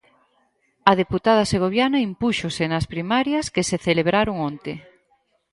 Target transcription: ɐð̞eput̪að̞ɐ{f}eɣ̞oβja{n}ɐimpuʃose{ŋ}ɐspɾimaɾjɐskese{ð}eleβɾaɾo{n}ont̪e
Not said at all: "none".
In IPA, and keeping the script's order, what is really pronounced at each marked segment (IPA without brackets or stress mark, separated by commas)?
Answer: s, n, n, θ, ŋ